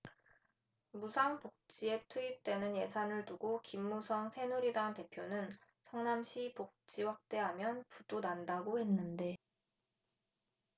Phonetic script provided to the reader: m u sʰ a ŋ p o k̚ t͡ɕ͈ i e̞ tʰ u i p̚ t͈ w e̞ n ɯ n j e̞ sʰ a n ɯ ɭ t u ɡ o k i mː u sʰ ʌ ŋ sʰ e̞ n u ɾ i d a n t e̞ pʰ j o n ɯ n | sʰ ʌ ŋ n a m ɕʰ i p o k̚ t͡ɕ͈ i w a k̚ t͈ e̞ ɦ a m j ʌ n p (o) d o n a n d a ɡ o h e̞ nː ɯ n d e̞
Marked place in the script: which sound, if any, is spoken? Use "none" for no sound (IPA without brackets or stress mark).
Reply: u